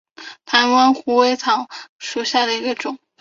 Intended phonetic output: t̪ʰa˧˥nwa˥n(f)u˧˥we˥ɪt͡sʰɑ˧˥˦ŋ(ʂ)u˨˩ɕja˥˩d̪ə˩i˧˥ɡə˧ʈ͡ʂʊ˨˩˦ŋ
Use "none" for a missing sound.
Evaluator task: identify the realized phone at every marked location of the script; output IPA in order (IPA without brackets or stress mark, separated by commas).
x, ʂ